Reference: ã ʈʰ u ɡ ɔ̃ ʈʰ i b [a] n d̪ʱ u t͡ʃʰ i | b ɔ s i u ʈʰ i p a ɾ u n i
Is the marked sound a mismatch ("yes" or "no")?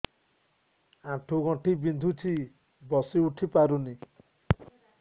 yes